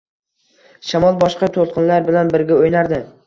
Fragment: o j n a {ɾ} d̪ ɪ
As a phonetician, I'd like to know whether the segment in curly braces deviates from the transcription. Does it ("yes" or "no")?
no